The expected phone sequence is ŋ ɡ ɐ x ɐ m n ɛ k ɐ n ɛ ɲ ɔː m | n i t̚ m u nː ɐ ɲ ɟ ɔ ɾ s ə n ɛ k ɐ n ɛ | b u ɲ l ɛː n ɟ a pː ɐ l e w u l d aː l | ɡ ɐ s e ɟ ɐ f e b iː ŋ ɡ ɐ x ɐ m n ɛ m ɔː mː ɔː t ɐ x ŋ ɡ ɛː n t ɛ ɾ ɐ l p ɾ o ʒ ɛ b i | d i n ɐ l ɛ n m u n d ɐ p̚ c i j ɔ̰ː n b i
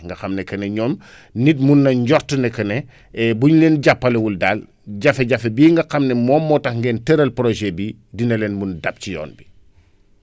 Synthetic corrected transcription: ŋ ɡ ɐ x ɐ m n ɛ k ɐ n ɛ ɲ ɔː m | n i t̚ m u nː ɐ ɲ ɟ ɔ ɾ t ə n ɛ k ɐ n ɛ | b u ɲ l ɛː n ɟ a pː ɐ l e w u l d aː l | ɟ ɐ f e ɟ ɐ f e b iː ŋ ɡ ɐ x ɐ m n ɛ m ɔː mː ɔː t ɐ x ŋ ɡ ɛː n t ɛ ɾ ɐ l p ɾ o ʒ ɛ b i | d i n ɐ l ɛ n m u n d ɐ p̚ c i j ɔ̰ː n b i